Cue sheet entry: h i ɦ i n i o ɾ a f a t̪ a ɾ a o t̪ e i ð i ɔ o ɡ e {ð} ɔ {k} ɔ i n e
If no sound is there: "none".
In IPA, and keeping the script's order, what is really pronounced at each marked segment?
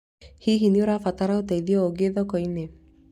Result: ð, k

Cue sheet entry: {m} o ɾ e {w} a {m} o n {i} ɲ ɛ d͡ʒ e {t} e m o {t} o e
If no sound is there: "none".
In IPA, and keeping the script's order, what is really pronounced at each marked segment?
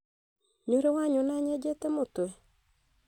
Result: ɲ, w, ɲ, a, t, t

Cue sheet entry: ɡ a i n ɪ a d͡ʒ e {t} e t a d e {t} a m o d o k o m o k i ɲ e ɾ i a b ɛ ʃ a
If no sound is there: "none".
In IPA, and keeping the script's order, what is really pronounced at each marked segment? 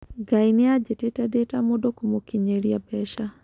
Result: t, t

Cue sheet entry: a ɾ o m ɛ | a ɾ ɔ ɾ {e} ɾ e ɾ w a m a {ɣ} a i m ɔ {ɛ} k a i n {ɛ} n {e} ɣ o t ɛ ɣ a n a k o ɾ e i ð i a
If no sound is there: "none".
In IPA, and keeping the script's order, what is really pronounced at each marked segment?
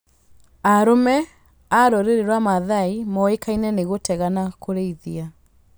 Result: e, ð, e, ɛ, e

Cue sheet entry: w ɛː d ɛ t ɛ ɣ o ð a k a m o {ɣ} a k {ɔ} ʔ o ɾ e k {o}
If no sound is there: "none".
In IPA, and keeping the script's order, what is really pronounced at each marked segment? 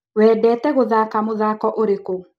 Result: ð, ɔ, o

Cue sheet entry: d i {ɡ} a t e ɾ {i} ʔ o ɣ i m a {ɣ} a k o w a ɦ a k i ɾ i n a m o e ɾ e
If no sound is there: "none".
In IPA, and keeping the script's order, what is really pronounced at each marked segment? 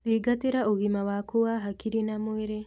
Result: ɡ, a, w

